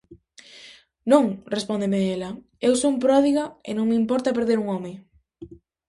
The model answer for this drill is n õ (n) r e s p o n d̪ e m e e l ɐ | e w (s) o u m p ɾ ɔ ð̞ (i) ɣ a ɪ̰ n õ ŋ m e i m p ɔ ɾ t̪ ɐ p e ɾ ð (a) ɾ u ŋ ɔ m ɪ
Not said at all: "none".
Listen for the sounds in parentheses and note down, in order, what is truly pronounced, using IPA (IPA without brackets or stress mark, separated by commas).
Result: ŋ, s, i, e